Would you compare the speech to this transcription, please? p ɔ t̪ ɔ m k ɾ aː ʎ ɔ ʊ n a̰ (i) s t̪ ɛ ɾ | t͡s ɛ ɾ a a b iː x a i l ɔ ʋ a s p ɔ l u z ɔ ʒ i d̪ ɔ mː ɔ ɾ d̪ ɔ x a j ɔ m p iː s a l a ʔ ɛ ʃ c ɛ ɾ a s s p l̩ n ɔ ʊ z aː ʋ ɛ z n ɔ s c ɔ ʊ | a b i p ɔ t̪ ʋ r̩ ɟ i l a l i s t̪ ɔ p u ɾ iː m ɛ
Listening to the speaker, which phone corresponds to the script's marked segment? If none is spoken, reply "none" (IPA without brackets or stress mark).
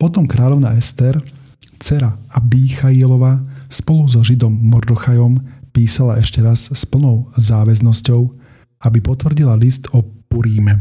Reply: ɛ